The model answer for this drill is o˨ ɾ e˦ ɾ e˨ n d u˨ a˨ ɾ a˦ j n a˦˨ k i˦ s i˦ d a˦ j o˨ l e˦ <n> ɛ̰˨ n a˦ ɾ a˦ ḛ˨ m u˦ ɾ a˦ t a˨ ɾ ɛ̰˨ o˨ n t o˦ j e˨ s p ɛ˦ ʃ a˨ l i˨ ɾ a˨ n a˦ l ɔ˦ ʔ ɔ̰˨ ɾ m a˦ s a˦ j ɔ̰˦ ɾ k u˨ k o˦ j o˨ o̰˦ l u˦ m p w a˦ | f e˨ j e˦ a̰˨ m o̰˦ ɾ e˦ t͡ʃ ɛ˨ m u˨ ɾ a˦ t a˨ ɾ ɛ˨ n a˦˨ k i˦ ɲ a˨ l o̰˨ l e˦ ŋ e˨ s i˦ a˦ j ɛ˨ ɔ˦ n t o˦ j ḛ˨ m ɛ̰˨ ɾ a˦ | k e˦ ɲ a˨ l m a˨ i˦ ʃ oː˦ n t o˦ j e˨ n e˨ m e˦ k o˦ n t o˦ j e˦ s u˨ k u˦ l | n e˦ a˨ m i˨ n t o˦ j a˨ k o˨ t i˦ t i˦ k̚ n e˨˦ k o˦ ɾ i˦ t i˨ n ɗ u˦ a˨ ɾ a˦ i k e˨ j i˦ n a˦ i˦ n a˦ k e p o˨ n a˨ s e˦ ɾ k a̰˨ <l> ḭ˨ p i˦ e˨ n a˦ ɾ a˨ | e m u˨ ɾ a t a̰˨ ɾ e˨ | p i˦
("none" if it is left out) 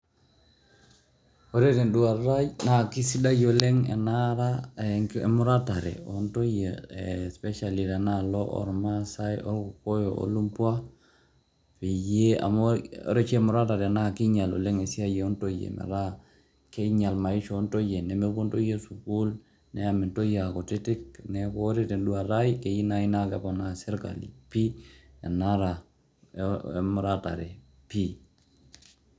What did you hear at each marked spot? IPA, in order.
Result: ŋ, l

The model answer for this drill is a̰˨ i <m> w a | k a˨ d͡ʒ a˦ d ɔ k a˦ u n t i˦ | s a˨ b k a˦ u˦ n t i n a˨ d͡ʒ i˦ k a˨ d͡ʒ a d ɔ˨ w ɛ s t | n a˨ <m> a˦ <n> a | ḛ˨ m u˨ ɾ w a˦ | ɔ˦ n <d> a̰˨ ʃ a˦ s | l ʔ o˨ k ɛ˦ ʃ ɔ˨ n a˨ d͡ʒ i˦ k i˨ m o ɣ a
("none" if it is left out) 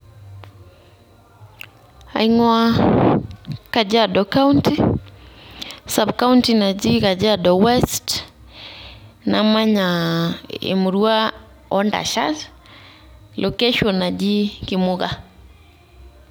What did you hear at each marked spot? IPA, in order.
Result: ŋ, m, ɲ, d

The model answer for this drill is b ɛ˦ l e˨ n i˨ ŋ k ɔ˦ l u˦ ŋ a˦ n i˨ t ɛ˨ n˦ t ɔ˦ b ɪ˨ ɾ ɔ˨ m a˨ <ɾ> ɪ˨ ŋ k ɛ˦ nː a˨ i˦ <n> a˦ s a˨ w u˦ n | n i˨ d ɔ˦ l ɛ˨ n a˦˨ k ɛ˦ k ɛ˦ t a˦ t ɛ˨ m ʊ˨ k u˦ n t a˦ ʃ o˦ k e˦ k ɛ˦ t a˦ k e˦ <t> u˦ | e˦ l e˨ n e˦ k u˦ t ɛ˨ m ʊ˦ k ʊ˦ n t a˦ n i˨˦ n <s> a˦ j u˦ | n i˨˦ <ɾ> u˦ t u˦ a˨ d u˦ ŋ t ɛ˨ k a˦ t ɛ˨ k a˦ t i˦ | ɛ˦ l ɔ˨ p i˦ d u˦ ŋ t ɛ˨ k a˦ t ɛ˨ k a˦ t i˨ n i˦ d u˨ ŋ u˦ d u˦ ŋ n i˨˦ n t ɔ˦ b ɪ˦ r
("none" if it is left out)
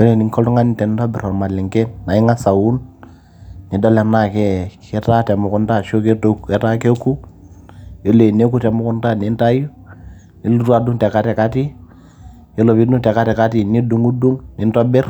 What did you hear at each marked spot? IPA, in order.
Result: l, ŋ, k, t, l

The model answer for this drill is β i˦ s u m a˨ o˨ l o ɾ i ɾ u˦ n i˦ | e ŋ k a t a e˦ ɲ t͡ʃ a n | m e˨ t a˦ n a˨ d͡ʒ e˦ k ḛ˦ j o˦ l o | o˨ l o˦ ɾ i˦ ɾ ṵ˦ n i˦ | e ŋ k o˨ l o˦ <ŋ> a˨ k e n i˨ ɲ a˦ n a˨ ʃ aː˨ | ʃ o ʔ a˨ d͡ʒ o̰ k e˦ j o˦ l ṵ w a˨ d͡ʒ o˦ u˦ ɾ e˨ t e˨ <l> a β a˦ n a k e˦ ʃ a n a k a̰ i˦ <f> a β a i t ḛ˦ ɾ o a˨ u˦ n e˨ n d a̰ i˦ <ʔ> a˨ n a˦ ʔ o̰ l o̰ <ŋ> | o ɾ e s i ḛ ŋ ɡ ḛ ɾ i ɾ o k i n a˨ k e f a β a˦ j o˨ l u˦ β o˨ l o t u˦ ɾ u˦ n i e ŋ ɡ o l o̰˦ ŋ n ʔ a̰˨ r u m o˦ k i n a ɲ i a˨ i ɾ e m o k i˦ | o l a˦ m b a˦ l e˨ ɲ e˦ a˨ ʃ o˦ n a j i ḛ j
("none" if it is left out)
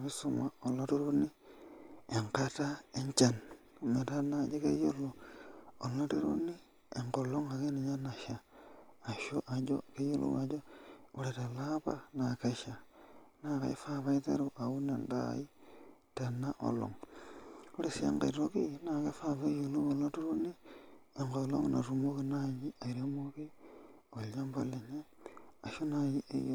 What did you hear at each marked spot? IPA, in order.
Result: ŋ, l, f, t, ŋ

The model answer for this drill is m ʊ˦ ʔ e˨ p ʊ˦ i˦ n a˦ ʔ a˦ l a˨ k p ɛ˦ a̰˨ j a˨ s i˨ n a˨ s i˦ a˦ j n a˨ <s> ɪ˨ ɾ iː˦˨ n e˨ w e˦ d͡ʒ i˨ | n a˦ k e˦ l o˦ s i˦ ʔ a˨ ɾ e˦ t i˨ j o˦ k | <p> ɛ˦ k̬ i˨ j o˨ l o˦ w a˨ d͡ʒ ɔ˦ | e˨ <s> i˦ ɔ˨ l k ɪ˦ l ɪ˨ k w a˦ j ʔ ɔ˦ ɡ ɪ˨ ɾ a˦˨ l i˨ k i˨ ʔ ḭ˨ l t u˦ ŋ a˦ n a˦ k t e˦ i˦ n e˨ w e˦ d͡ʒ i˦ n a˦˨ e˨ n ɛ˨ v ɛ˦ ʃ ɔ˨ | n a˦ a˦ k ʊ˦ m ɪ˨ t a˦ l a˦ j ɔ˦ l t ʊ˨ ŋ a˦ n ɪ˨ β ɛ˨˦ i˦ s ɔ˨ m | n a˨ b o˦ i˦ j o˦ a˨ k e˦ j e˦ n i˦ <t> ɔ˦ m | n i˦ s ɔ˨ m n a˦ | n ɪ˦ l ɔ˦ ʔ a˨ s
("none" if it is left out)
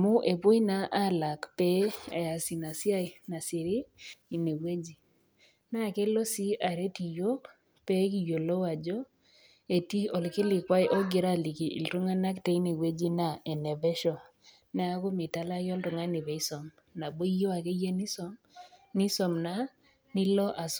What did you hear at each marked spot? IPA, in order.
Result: s, p, t, s

